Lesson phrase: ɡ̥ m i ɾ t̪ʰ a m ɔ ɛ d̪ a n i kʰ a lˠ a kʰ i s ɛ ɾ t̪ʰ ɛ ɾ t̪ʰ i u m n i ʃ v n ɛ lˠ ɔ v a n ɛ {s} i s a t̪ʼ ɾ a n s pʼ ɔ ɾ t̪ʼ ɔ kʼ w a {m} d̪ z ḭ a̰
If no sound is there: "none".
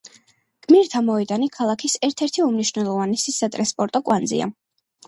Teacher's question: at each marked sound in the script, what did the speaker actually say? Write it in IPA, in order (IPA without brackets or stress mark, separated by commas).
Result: s, n